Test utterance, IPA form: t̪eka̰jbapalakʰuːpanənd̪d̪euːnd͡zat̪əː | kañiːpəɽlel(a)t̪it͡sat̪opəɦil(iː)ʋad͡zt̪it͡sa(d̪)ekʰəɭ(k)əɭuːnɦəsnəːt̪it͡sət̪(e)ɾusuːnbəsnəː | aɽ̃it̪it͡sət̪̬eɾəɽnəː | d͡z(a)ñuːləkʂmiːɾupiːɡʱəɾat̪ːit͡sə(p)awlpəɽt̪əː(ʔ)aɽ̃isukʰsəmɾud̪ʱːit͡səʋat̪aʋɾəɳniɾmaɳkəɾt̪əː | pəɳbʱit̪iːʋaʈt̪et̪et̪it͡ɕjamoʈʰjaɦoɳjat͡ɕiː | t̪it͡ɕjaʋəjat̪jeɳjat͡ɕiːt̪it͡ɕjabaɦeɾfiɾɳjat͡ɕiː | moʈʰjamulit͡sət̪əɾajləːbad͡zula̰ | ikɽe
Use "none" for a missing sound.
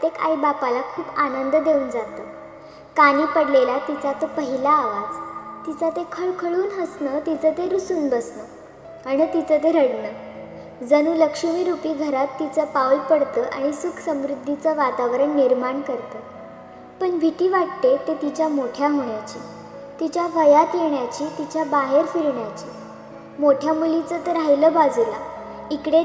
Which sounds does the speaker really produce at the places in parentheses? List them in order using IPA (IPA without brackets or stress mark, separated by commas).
a, aː, t̪, kʰ, e, ə, p, ʔ